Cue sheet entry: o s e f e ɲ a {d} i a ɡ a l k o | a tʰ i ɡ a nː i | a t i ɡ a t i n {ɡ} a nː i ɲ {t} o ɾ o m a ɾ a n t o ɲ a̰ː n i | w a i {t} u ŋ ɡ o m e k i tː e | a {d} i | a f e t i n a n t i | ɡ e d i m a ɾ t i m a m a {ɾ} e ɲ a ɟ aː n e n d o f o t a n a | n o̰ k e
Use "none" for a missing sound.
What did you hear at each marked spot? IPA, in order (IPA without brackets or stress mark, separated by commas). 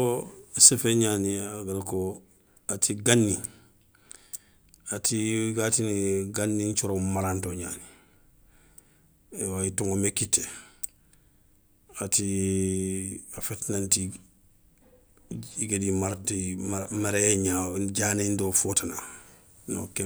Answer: n, ɡ, t͡ʃ, t, t, ɾ